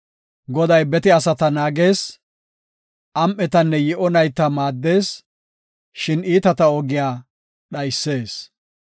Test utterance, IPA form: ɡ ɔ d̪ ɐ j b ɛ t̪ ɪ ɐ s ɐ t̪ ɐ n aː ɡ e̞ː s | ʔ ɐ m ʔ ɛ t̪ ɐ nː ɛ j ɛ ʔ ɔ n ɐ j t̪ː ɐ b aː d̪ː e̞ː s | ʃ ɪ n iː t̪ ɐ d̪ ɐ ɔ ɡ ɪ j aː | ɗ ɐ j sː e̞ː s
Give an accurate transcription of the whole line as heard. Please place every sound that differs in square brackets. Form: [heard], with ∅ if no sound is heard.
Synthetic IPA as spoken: ɡ ɔ d̪ ɐ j b ɛ t̪ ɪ ɐ s ɐ t̪ ɐ n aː ɡ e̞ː s | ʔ ɐ m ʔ ɛ t̪ ɐ nː ɛ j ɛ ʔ ɔ n ɐ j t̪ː ɐ [m] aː d̪ː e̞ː s | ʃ ɪ n iː t̪ ɐ [t̪] ɐ ɔ ɡ ɪ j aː | ɗ ɐ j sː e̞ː s